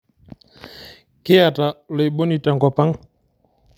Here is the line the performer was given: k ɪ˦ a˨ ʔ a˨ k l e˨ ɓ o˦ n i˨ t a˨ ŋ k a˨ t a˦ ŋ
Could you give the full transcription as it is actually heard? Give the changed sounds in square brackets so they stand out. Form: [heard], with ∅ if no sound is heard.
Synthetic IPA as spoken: k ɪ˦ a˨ [t] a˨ [∅] l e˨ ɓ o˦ n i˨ t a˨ ŋ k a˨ [p] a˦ ŋ